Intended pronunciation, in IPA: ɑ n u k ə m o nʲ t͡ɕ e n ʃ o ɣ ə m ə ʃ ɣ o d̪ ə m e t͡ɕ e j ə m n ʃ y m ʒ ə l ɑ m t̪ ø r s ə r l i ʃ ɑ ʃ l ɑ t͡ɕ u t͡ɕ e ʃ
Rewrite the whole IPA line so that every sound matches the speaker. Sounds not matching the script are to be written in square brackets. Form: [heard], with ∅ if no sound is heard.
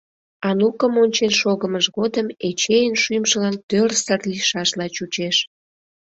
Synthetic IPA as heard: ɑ n u k ə m o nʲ t͡ɕ e n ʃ o ɣ ə m ə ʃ ɣ o d̪ ə m e t͡ɕ e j ə [∅] n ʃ y m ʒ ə l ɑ [n] t̪ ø r s ə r l i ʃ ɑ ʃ l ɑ t͡ɕ u t͡ɕ e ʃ